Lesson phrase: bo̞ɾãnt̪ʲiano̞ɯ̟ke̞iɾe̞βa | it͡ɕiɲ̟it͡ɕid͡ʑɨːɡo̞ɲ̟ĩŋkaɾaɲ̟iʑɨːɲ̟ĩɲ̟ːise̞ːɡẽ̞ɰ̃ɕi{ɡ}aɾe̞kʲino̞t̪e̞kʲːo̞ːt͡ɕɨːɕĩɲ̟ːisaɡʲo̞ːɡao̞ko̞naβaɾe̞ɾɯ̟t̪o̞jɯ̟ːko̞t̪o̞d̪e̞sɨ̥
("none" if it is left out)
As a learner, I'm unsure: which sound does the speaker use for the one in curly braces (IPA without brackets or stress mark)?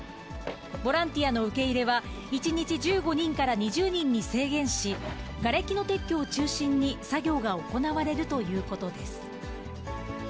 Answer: ɡ